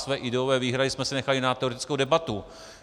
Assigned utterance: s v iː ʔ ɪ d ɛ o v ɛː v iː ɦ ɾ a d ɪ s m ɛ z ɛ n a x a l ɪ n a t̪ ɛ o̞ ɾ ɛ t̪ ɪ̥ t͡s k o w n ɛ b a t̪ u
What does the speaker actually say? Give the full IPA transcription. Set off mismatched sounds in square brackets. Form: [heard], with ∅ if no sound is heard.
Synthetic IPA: s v [ɛː] ʔ ɪ d ɛ o v ɛː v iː ɦ ɾ a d ɪ s m ɛ [s] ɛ n [ɛ] x a l ɪ n a t̪ ɛ o̞ ɾ ɛ t̪ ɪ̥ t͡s k o w [d] ɛ b a t̪ u